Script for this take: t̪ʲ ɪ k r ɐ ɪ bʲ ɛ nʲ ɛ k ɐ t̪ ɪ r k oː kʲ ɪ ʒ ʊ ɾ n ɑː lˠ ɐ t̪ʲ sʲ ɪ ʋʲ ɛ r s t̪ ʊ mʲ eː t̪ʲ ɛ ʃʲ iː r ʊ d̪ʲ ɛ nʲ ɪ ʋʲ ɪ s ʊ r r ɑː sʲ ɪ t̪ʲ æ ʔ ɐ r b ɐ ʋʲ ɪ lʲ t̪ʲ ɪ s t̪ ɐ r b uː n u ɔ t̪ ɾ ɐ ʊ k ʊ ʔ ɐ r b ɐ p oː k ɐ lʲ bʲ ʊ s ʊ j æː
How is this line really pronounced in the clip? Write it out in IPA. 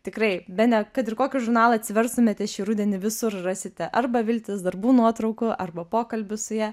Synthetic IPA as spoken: t̪ʲ ɪ k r ɐ ɪ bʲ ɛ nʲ ɛ k ɐ t̪ ɪ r k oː kʲ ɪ ʒ ʊ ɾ n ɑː lˠ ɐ t̪ʲ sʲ ɪ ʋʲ ɛ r s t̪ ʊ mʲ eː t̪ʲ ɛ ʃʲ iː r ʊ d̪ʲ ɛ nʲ ɪ ʋʲ ɪ s ʊ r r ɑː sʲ ɪ t̪ʲ ɛ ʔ ɐ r b ɐ ʋʲ ɪ lʲ t̪ʲ ɪ s d̪ ɐ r b uː n u ɔ t̪ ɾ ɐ ʊ k ʊ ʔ ɐ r b ɐ p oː k ɐ lʲ bʲ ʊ s ʊ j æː